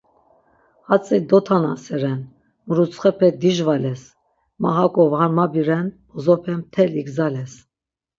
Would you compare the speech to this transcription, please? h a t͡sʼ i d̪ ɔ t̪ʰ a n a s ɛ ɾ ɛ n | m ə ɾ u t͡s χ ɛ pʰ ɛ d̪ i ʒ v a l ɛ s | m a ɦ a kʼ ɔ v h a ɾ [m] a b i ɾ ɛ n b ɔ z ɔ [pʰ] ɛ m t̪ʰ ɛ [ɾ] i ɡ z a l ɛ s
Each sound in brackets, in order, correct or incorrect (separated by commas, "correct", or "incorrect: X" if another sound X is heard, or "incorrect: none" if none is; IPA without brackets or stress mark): correct, correct, incorrect: l